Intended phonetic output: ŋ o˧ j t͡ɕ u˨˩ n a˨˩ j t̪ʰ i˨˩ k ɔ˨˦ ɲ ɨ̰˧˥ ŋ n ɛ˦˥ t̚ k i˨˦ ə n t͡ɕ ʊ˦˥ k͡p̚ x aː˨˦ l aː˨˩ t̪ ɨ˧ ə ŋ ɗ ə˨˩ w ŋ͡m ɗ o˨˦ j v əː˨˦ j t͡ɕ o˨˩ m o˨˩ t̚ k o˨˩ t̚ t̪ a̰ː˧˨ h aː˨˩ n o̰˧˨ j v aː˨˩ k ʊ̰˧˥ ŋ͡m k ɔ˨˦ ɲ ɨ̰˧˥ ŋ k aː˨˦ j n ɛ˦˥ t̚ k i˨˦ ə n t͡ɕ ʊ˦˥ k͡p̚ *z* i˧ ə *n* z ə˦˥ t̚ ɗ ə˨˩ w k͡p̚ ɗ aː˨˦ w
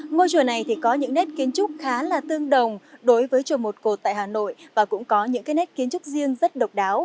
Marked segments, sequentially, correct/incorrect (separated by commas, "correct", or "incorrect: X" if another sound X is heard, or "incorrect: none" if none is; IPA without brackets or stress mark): correct, incorrect: ŋ